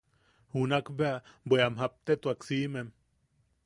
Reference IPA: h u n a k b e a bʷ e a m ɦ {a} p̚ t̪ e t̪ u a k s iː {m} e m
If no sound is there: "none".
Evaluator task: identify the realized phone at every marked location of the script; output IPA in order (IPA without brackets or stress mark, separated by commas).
a, m